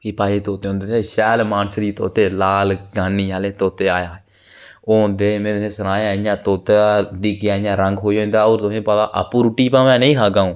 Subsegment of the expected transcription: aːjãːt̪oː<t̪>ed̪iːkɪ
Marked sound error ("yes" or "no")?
no